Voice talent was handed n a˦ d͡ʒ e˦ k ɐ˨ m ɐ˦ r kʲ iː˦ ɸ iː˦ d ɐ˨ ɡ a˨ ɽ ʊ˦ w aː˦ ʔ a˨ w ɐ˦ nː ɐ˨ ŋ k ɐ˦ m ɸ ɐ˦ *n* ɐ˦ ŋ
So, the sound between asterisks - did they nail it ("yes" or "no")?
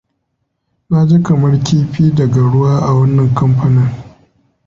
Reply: yes